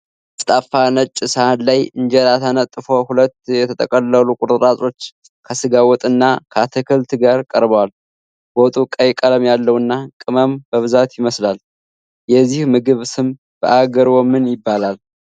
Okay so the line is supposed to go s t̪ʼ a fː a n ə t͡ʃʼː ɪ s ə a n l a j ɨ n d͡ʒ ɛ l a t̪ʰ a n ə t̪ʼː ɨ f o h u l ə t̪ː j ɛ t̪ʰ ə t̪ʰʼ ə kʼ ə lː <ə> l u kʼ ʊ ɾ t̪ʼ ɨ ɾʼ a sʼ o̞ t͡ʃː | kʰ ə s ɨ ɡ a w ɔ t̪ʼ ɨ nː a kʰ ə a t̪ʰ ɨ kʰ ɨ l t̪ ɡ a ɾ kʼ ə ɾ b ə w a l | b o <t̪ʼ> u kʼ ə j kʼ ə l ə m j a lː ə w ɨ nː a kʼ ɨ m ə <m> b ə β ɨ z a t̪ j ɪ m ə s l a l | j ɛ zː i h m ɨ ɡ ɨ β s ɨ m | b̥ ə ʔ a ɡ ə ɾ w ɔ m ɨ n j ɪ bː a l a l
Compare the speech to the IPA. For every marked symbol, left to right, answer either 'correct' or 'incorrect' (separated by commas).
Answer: correct, correct, correct